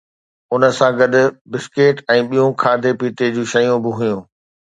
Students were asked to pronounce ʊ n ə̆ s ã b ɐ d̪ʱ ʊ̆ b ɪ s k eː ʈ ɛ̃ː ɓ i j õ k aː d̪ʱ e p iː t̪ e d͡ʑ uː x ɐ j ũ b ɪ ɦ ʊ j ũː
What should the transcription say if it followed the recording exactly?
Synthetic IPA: ʊ n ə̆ s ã ɡ ɐ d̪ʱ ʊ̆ b ɪ s k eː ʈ ɛ̃ː ɓ i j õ kʰ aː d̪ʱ e p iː t̪ e d͡ʑ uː ʃ ɐ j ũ b ɪ ɦ ʊ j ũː

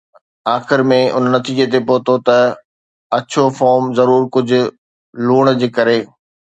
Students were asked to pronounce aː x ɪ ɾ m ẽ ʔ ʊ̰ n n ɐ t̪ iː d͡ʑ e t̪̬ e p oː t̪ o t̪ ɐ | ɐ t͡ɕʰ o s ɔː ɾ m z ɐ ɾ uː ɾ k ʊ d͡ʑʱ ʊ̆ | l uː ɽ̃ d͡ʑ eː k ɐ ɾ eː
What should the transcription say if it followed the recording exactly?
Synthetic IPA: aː x ɪ ɾ m ẽ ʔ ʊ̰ n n ɐ t̪ iː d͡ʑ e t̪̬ e p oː t̪ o t̪ ɐ | ɐ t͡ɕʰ o f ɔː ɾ m z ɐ ɾ uː ɾ k ʊ d͡ʑʱ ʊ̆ | l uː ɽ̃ d͡ʑ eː k ɐ ɾ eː

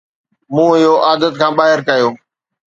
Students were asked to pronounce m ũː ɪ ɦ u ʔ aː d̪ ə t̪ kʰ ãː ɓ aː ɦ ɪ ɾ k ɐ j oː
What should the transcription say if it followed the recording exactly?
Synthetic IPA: m ũː ɪ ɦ o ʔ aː d̪ ə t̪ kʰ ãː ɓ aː ɦ ɪ ɾ k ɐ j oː

